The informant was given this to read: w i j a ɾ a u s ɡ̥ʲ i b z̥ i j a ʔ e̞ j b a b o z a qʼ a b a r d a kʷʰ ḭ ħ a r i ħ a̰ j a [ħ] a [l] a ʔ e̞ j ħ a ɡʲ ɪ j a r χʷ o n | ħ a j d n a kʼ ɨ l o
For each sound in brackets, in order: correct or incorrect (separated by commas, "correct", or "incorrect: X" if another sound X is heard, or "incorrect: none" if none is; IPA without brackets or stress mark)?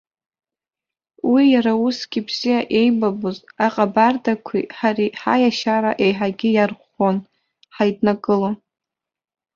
incorrect: ʃ, incorrect: ɾ